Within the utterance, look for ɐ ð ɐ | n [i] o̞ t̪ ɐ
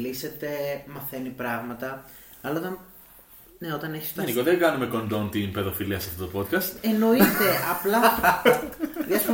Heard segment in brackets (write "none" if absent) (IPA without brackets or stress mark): e